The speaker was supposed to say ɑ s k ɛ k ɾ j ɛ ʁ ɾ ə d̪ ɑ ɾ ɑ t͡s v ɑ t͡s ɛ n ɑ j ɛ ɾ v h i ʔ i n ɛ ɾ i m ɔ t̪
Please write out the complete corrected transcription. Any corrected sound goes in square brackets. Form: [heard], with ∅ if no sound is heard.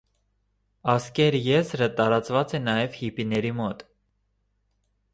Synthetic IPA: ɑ s k ɛ [∅] ɾ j ɛ [z] ɾ ə [t̪] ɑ ɾ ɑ t͡s v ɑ t͡s ɛ n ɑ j ɛ [∅] v h i [p] i n ɛ ɾ i m ɔ t̪